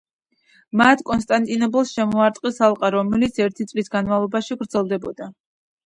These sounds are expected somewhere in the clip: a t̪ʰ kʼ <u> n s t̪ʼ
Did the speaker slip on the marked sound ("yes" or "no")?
yes